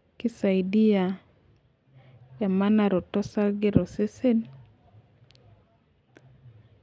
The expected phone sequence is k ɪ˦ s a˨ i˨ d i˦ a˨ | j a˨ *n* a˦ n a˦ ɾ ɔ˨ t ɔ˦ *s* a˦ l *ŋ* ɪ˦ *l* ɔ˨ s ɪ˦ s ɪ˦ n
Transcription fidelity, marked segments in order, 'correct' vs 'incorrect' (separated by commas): incorrect, correct, incorrect, incorrect